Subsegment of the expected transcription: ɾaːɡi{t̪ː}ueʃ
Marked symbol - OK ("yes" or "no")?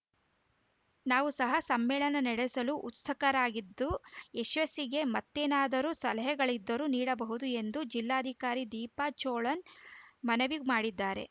no